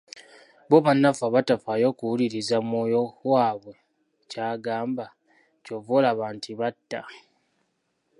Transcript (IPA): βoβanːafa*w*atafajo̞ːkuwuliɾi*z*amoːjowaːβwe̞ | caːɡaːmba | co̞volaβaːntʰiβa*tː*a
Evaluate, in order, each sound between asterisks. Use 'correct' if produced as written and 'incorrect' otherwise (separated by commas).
incorrect, correct, correct